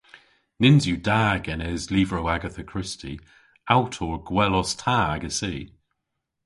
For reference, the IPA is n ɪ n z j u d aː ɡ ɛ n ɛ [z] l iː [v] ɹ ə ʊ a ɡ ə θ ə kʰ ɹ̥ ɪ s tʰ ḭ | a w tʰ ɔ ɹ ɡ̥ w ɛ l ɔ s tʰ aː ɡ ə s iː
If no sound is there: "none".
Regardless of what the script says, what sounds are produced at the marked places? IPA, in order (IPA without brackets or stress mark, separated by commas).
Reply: z, v